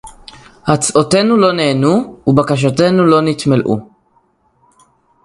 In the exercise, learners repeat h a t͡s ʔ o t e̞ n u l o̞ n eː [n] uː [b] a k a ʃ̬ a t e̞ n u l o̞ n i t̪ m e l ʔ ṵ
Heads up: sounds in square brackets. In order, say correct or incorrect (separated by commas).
correct, correct